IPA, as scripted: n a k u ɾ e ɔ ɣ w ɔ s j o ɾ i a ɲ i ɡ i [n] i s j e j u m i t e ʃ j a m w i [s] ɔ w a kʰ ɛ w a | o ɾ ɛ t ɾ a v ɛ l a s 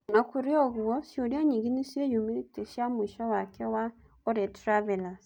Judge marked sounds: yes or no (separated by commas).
yes, no